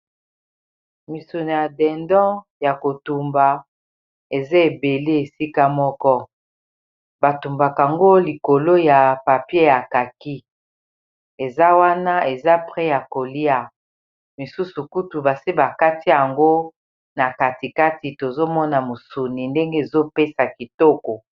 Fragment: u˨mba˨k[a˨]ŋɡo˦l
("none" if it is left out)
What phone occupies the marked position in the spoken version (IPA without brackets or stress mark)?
a˨